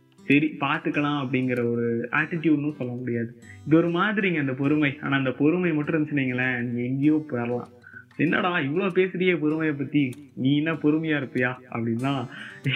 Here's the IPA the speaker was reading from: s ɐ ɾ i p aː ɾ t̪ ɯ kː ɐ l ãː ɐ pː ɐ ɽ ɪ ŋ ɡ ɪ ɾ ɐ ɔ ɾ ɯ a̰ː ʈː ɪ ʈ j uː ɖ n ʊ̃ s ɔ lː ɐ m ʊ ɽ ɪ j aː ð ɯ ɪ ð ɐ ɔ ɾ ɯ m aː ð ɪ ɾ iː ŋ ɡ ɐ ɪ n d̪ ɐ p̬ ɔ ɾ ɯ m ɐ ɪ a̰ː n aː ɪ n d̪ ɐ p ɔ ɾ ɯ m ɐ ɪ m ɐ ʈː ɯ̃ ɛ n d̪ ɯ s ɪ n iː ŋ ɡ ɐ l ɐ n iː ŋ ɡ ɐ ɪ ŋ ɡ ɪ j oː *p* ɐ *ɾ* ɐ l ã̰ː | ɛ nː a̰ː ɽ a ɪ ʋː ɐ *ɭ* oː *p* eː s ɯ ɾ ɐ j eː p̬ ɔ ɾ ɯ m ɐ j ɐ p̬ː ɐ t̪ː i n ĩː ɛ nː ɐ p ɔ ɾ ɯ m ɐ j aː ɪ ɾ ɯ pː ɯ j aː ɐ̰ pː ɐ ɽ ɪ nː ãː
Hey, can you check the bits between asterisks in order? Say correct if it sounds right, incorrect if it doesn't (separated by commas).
correct, correct, correct, correct